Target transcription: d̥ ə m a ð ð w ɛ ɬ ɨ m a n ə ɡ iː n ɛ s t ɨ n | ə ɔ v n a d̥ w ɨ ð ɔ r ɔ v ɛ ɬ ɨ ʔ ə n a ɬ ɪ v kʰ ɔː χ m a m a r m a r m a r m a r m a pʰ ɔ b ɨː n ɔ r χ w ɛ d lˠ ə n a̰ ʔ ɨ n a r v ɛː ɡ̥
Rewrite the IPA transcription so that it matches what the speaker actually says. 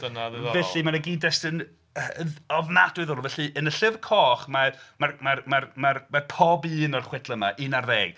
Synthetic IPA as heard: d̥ ə n a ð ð v ɛ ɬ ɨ m a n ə ɡ iː d ɛ s t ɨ n | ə ɔ v n a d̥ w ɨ ð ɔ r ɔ v ɛ ɬ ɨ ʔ ə n ə ɬ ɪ v kʰ ɔː χ m a m a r m a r m a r m a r m a pʰ ɔ b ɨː n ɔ r χ w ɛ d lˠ ə m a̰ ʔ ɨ n a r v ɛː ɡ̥